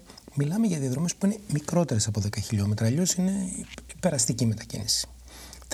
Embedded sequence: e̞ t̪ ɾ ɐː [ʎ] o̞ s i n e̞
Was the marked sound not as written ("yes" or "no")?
no